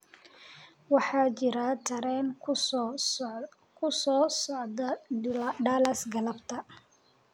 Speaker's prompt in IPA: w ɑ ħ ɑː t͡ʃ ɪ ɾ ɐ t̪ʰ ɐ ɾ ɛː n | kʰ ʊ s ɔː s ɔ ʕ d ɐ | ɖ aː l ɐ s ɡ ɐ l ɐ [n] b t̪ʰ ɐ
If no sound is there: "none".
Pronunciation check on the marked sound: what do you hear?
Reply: none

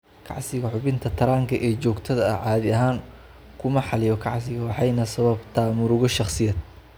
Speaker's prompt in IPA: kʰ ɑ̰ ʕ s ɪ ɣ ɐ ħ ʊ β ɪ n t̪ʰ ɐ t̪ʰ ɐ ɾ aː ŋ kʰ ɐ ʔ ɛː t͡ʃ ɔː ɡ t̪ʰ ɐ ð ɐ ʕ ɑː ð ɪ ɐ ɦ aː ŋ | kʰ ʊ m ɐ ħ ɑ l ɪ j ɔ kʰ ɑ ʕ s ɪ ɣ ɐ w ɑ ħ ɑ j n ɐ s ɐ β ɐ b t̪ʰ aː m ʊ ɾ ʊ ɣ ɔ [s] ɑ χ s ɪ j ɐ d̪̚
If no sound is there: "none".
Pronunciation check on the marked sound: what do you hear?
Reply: ʃ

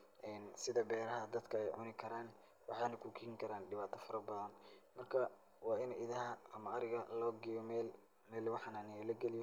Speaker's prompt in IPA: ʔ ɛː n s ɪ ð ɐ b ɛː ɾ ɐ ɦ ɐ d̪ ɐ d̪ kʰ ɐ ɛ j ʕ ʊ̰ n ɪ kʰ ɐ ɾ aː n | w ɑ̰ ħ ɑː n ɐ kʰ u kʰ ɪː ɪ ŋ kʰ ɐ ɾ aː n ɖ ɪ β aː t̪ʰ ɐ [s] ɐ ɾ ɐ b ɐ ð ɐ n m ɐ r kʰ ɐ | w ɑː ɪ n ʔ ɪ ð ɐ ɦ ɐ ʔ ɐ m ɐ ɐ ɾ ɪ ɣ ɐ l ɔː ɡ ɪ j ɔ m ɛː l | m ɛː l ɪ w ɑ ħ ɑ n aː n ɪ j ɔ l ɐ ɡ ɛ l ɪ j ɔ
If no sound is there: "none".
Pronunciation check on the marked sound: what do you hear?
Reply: f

